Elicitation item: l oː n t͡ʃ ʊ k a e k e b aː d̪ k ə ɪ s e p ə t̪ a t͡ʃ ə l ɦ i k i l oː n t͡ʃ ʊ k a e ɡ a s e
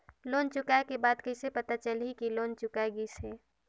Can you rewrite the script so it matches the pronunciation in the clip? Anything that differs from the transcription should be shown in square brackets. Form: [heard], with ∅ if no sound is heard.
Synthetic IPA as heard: l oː n t͡ʃ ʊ k a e k e b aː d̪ k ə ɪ s e p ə t̪ a t͡ʃ ə l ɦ i k i l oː n t͡ʃ ʊ k a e ɡ [i] s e